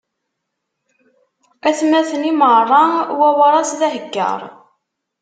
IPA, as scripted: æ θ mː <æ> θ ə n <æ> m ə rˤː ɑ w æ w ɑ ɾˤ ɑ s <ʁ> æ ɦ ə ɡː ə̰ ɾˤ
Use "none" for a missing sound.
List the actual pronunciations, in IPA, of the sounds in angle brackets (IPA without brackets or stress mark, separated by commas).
æ, i, ð